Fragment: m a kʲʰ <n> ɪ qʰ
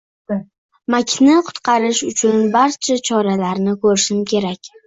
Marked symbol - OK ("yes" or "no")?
yes